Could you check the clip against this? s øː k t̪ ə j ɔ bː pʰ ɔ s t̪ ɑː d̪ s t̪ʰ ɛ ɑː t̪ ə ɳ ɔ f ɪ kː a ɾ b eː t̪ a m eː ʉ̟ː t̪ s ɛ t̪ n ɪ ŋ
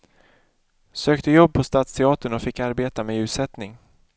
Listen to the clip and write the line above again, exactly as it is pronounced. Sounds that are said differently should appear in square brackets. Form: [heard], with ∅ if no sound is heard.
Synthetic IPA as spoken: s øː k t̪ ə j ɔ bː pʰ ɔ s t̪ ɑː [t̪] s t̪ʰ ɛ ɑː t̪ ə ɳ ɔ f ɪ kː a ɾ b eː t̪ a m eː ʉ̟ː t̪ s ɛ t̪ n ɪ ŋ